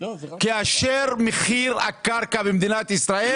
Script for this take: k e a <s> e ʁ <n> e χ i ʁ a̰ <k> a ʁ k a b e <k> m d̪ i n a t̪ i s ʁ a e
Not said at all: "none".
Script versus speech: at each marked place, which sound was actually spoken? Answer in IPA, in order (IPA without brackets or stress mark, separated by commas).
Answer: ʃ, m, k, none